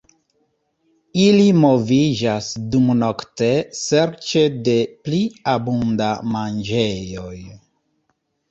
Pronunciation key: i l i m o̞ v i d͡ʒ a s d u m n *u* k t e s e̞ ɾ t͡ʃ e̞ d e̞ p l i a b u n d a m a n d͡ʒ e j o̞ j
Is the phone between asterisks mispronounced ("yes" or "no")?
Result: yes